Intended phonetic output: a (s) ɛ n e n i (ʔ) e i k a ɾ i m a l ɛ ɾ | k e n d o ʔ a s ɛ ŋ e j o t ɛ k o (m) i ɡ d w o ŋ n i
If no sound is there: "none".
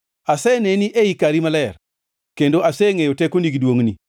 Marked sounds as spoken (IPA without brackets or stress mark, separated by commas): s, ʔ, n